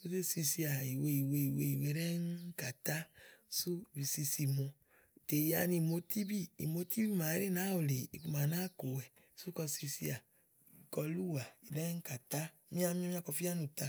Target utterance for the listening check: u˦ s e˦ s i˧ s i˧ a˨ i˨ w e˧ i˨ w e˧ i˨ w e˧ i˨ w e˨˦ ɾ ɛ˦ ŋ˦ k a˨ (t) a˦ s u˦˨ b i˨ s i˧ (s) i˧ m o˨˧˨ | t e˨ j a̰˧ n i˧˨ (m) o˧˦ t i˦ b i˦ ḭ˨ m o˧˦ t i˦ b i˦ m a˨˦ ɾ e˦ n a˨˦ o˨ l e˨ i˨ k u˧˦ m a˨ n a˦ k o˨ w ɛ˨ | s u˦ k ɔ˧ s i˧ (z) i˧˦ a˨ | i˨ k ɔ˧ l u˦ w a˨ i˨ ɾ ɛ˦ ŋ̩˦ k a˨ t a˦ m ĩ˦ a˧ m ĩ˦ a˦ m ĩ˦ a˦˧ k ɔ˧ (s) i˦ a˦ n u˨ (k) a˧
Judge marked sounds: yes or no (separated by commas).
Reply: yes, yes, yes, no, no, no